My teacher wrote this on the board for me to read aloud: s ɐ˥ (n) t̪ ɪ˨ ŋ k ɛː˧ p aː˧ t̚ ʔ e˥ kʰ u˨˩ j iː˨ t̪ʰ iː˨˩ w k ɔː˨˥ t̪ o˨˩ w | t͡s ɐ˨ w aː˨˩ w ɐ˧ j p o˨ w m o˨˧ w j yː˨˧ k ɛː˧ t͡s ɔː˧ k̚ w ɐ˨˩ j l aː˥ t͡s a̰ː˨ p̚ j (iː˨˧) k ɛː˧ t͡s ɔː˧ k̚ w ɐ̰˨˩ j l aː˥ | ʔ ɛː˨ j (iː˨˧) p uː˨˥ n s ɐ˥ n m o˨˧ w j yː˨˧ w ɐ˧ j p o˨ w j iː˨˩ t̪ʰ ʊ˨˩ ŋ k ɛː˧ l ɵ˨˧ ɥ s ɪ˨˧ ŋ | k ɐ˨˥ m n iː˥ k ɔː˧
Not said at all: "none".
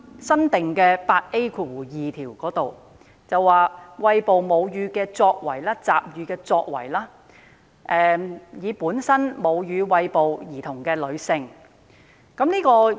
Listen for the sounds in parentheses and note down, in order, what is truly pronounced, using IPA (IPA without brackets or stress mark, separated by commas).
n, yː˨˧, iː˨˧